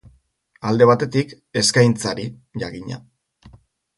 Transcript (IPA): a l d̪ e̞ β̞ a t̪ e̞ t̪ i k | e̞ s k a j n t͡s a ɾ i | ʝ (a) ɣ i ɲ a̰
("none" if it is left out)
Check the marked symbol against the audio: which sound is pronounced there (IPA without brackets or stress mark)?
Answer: a